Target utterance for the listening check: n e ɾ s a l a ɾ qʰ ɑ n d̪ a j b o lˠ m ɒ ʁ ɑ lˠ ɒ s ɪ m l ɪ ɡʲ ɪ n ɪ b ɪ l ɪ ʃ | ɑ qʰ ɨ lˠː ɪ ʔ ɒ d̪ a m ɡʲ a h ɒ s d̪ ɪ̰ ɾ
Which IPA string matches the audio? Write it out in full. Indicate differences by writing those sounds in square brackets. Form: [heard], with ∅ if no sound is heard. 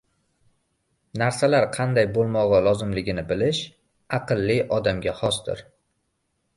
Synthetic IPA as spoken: n [a] ɾ s a l a ɾ qʰ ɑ n d̪ a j b o lˠ m ɒ ʁ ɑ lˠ ɒ [z] ɪ m l ɪ ɡʲ ɪ n ɪ b ɪ l ɪ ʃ | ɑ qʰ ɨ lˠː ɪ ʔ ɒ d̪ a m ɡʲ a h ɒ s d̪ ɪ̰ ɾ